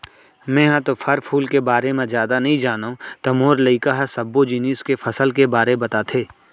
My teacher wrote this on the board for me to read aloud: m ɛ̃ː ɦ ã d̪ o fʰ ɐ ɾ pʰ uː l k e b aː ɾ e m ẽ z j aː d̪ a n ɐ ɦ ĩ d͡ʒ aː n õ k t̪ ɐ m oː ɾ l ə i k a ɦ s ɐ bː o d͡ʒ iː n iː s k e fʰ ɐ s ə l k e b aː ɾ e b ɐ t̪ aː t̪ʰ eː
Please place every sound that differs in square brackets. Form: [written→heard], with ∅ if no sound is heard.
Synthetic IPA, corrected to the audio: m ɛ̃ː ɦ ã [d̪→t̪] o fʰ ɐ ɾ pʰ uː l k e b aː ɾ e m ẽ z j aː d̪ a n ɐ ɦ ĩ d͡ʒ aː n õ [k→∅] t̪ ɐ m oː ɾ l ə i k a ɦ s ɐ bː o d͡ʒ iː n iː s k e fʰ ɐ s ə l k e b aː ɾ e b ɐ t̪ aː t̪ʰ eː